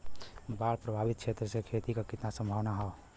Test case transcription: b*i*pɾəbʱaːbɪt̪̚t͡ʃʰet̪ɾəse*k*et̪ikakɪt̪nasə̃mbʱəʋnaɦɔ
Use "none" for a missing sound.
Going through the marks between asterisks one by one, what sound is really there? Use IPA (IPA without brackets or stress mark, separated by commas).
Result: a, kʰ